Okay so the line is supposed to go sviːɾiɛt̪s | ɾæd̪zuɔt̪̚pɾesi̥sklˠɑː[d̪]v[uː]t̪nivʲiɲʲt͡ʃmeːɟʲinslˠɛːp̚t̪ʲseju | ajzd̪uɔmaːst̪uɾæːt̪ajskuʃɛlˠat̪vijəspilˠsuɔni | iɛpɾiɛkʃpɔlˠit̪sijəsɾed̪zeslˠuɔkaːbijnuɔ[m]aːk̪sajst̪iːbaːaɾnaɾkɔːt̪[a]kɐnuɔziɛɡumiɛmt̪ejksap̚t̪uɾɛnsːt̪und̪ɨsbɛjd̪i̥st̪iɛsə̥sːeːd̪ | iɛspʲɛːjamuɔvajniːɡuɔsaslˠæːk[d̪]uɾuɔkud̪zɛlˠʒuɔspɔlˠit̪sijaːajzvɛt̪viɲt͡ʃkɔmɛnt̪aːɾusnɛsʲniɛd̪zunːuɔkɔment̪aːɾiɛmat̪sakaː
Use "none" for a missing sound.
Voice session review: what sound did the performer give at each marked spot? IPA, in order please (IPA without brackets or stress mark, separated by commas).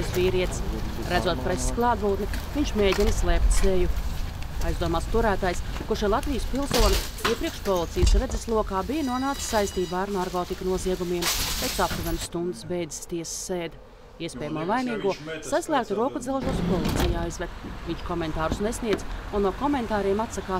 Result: d̪, uː, n, i, t̪